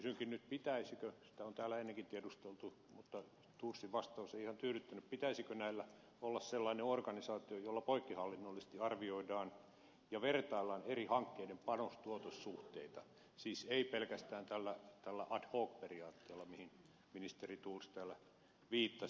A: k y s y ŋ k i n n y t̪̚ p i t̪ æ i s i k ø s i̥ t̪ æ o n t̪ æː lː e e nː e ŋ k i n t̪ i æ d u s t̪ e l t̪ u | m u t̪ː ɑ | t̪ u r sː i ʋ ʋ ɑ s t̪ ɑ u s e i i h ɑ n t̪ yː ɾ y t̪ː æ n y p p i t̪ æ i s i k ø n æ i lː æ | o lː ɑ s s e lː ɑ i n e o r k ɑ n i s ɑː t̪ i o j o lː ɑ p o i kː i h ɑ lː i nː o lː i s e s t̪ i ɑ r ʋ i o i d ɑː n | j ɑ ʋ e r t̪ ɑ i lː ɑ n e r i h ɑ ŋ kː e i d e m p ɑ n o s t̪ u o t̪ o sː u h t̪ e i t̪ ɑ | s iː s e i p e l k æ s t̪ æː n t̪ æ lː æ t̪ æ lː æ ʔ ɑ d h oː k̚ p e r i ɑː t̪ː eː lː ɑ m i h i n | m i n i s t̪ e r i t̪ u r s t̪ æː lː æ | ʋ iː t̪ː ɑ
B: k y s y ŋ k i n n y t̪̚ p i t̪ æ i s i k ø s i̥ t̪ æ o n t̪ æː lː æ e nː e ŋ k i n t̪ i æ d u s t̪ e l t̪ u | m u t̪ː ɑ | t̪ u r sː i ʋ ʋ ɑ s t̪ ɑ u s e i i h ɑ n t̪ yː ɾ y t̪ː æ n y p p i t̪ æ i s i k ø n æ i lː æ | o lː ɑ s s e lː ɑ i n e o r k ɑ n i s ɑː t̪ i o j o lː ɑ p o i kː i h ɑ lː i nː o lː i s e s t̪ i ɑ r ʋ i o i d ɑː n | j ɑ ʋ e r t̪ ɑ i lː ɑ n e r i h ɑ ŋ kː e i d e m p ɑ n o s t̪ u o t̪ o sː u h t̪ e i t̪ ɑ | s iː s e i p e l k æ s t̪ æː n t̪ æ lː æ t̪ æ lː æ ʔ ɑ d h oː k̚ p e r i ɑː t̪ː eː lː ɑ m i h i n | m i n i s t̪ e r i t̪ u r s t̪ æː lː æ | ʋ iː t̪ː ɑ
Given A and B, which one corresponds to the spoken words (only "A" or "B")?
B